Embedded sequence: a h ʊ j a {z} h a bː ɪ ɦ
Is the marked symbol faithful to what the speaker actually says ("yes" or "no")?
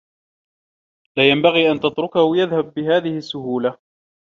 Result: no